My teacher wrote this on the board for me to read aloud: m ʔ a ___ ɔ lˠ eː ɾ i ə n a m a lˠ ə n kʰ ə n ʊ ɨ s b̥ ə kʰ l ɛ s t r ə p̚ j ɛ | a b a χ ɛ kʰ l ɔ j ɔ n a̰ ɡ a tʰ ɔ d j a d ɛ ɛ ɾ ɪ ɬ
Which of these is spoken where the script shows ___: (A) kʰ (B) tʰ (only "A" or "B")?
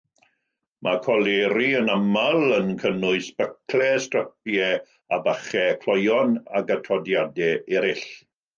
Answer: A